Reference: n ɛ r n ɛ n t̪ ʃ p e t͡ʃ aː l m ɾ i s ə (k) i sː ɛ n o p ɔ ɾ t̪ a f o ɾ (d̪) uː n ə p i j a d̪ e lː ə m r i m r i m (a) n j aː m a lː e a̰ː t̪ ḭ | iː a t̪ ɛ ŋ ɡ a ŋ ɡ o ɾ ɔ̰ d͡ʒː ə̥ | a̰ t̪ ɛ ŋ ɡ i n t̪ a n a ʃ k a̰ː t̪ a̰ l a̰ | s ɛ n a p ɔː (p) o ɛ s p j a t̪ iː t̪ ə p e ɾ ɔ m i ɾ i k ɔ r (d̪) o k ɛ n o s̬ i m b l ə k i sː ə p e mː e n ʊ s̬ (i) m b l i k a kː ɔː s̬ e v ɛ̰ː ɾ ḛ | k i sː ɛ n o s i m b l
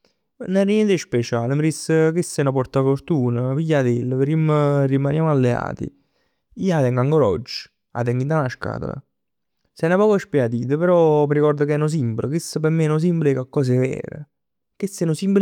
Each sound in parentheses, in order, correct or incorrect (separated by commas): correct, incorrect, correct, incorrect, correct, correct